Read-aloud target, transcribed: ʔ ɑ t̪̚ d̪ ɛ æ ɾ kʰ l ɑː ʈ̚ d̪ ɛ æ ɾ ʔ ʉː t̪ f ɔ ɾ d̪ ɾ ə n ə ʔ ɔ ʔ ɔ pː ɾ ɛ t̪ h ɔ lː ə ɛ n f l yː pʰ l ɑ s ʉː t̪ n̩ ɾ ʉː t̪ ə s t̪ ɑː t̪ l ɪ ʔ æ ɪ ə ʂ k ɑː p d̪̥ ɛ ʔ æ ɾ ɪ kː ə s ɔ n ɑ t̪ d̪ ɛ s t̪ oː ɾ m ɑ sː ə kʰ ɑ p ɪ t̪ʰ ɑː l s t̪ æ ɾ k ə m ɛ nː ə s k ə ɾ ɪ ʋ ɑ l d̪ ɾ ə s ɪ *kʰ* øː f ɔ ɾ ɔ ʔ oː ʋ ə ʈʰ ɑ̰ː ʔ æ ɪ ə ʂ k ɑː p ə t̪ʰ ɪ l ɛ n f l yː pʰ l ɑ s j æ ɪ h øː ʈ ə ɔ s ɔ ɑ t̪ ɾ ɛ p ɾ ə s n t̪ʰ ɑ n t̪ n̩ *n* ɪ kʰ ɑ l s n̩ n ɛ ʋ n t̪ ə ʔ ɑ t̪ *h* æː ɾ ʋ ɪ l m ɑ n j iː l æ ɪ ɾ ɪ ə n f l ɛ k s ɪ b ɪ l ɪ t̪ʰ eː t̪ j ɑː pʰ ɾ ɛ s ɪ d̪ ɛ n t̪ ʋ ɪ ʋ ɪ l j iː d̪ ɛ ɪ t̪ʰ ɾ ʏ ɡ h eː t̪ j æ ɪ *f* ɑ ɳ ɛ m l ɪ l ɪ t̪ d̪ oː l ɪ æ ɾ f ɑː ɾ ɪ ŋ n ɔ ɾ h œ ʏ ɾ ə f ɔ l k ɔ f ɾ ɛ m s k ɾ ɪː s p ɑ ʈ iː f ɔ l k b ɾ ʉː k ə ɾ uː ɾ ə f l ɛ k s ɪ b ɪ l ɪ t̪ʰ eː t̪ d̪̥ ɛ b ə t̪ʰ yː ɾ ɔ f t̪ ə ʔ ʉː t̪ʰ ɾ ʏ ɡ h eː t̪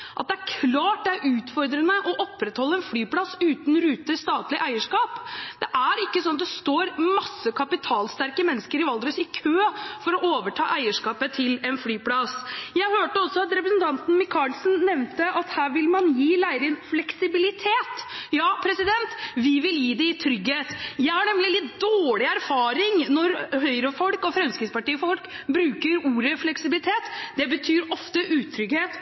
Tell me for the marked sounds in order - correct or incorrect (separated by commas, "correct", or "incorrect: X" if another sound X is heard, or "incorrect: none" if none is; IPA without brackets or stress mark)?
correct, incorrect: m, correct, incorrect: h